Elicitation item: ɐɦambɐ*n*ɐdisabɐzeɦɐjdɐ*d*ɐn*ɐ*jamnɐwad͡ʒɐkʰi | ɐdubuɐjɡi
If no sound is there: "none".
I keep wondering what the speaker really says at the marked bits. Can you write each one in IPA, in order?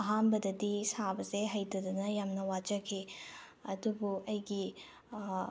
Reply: d, d, ɐ

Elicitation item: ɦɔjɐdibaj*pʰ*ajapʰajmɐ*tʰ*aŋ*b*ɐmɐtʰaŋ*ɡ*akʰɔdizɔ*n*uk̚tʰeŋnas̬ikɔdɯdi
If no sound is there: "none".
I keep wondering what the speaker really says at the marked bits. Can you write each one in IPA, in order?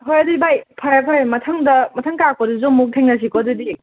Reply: pʰ, tʰ, d, k, m

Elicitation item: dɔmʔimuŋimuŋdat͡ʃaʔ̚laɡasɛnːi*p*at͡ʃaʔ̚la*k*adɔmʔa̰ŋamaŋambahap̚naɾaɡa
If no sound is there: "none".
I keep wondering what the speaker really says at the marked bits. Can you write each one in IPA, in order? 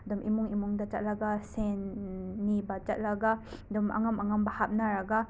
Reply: b, ɡ

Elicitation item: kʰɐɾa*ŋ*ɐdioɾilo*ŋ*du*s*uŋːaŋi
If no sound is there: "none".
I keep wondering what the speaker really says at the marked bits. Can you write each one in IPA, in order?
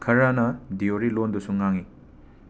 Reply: n, n, s

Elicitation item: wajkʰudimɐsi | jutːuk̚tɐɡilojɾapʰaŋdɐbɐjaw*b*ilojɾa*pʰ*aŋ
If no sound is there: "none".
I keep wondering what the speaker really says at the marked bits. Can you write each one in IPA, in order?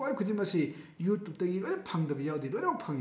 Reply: d, pʰ

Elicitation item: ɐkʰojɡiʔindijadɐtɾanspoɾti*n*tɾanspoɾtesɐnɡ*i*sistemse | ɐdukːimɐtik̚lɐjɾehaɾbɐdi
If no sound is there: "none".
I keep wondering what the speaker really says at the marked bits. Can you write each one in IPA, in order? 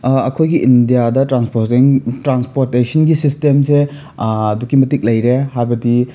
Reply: ŋ, i

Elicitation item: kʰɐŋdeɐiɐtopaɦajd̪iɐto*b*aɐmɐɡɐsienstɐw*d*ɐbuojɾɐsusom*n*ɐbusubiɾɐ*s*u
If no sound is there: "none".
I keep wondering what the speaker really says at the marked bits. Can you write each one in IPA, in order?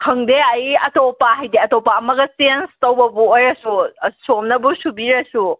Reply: p, b, n, s

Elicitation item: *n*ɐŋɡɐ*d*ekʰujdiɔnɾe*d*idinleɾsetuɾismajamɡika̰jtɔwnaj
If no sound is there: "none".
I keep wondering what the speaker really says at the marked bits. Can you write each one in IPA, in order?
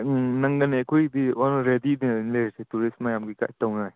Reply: n, n, d

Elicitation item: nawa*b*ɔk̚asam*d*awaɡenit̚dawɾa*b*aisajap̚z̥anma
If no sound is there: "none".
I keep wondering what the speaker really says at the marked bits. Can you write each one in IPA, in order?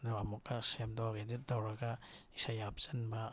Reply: m, d, ɡ

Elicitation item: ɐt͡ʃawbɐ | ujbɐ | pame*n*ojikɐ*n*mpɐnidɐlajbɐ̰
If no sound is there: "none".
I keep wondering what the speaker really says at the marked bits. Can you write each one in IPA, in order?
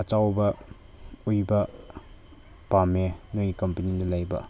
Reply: n, none

